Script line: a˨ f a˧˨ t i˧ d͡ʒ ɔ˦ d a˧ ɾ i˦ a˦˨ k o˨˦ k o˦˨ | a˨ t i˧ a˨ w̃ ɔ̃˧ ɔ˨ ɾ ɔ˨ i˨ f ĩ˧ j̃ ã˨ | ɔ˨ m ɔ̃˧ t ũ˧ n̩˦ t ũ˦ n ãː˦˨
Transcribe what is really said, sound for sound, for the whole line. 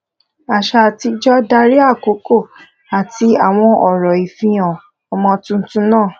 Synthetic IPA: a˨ ʃ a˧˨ t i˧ d͡ʒ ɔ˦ d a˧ ɾ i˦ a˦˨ k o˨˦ k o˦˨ | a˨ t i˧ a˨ w̃ ɔ̃˧ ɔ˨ ɾ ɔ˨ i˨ f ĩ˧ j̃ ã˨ | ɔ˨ m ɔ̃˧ t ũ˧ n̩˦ t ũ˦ n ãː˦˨